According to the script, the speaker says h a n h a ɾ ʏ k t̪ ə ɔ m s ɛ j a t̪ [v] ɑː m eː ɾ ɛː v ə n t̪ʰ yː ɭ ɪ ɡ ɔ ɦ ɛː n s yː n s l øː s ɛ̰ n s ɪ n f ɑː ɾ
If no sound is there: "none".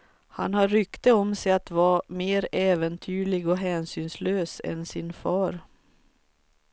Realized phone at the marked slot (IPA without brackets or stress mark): v